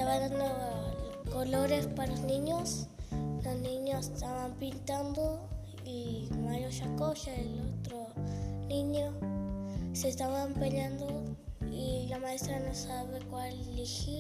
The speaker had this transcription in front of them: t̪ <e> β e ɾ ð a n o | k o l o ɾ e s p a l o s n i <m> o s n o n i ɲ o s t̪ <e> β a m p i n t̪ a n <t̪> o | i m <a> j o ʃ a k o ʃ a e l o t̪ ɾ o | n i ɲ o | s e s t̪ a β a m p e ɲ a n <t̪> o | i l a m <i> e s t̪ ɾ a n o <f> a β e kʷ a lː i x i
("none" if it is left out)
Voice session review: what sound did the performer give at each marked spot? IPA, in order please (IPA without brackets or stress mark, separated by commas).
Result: a, ɲ, a, d̪, a, d̪, a, s